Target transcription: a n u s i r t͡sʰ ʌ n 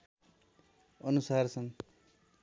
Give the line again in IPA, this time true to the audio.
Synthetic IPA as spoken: ʌ n u s a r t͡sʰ ʌ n